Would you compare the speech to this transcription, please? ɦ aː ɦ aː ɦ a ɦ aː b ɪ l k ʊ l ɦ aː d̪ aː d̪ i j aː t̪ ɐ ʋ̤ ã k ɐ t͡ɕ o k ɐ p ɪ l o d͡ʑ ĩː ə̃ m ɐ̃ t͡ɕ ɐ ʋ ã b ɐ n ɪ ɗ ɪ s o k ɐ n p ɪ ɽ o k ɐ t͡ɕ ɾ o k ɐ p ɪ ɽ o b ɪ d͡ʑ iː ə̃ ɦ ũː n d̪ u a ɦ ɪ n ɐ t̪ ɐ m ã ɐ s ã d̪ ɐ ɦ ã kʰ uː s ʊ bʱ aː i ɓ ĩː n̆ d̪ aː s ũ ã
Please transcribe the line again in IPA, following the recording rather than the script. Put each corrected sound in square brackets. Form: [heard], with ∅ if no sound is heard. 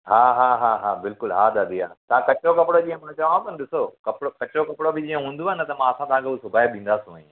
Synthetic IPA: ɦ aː ɦ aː ɦ a ɦ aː b ɪ l k ʊ l ɦ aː d̪ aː d̪ i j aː t̪ ɐ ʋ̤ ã k ɐ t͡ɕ o k ɐ p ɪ [ɽ] o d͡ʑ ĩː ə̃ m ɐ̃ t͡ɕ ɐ ʋ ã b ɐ n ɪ ɗ ɪ s o k ɐ [∅] p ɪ ɽ o k ɐ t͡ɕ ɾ o k ɐ p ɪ ɽ o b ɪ d͡ʑ iː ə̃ ɦ ũː n d̪ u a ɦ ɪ n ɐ t̪ ɐ m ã ɐ s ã [t̪] ɐ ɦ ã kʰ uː s ʊ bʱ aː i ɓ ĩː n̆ d̪ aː s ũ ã